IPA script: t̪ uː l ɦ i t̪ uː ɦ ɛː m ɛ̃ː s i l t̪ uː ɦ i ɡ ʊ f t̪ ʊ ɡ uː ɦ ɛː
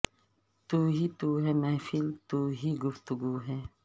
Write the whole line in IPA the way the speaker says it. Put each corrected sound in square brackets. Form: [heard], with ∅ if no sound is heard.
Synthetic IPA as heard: t̪ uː [∅] ɦ i t̪ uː ɦ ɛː m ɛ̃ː [f] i l t̪ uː ɦ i ɡ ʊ f t̪ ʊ ɡ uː ɦ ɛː